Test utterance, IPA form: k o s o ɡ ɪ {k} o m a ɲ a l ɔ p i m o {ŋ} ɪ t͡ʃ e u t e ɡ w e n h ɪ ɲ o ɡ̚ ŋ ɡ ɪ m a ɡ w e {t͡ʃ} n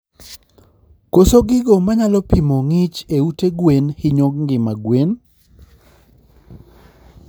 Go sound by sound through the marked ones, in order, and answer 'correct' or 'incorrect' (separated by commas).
incorrect, correct, incorrect